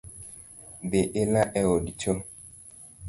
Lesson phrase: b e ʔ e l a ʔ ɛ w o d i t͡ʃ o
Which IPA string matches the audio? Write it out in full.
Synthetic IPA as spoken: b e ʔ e l a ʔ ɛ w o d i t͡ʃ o